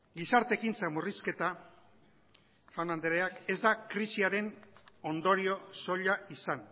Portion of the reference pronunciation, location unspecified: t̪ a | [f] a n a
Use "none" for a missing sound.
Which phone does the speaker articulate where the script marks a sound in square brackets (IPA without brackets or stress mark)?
f